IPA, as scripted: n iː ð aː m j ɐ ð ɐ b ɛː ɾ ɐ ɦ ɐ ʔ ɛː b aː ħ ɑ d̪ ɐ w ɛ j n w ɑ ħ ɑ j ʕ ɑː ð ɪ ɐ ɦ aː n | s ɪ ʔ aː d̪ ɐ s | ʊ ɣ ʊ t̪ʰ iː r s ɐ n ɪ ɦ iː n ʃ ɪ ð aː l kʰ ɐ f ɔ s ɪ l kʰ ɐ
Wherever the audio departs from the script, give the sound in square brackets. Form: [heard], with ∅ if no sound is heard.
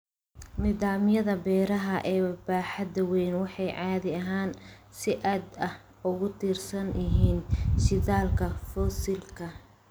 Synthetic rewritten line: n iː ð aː m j ɐ ð ɐ b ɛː ɾ ɐ ɦ ɐ ʔ ɛː b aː ħ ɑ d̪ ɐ w ɛ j n w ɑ ħ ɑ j ʕ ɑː ð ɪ ɐ ɦ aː n | s ɪ ʔ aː d̪ ɐ [h] | ʊ ɣ ʊ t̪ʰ iː r s ɐ n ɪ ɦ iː n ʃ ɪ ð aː l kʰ ɐ f ɔ s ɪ l kʰ ɐ